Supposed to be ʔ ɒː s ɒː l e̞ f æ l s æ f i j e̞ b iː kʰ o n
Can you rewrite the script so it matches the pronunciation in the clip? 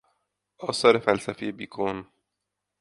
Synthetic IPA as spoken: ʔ ɒː s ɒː ɾ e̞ f æ l s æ f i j e̞ b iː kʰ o n